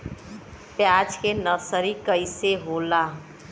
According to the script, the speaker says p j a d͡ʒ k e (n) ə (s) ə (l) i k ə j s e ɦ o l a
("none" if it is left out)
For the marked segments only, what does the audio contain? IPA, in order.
n, s, ɾ

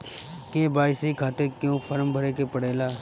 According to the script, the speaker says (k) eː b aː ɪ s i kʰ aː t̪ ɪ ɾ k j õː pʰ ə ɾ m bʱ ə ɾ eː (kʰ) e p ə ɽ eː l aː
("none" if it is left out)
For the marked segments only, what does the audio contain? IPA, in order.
k, k

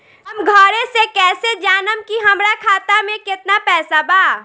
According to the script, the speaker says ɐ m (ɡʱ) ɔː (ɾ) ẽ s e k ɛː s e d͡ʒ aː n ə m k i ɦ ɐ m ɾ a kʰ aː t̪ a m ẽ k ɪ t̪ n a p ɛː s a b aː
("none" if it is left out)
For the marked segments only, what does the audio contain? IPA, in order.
ɡʱ, ɾ

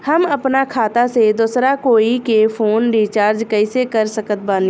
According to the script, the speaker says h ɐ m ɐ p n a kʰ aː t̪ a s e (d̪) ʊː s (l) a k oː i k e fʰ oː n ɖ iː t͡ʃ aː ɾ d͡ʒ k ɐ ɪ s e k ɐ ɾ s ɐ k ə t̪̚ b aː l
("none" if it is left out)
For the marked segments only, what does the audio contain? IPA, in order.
d̪, ɾ

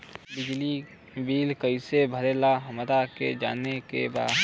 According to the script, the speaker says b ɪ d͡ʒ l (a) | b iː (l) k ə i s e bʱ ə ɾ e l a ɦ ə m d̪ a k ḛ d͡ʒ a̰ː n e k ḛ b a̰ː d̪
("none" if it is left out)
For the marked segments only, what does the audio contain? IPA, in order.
i, l

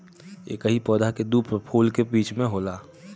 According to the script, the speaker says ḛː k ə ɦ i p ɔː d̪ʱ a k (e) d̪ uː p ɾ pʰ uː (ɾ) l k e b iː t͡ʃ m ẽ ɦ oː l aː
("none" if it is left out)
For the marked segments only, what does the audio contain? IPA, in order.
e, none

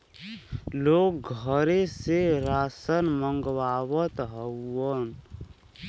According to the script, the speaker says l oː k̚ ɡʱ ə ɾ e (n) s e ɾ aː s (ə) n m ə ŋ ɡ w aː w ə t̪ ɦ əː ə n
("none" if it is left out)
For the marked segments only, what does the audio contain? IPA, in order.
none, ə

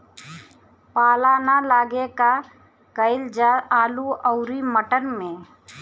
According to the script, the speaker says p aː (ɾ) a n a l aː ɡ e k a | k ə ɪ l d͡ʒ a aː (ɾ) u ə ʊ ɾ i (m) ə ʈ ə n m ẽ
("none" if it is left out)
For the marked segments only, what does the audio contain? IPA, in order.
l, l, m

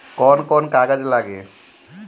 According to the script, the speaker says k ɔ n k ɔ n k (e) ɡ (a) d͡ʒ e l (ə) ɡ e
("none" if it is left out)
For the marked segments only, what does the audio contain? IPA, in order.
a, a, a

